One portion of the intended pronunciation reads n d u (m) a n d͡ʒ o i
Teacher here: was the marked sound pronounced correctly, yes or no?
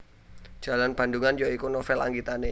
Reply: no